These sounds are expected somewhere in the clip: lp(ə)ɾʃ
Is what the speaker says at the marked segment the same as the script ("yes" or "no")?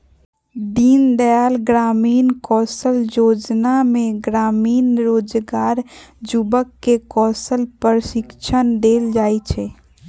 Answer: yes